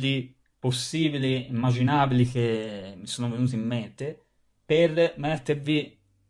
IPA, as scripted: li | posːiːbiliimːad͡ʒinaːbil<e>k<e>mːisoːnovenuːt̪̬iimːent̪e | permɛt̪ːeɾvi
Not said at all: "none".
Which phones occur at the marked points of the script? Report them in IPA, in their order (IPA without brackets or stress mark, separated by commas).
i, e